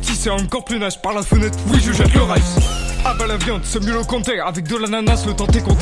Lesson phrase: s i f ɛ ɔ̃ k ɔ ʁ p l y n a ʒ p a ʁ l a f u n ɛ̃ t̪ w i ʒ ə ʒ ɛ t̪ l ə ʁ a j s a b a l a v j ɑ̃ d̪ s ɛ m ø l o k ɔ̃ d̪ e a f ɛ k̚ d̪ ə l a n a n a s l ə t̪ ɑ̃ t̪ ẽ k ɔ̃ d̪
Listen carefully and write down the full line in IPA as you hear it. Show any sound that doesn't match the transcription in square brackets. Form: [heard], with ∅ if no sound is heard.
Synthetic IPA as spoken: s i [s] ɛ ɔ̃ k ɔ ʁ p l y n a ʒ p a ʁ l a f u n [ɛ] t̪ w i ʒ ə ʒ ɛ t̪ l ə ʁ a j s a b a l a v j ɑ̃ d̪ s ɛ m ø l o k ɔ̃ [t̪] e a [v] ɛ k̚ d̪ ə l a n a n a s l ə t̪ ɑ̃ t̪ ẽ k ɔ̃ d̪